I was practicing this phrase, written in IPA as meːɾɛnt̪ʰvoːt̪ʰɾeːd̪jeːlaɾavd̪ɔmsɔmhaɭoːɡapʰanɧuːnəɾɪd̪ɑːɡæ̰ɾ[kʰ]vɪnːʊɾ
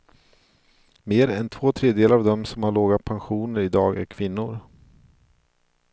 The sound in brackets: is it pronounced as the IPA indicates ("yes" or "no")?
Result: yes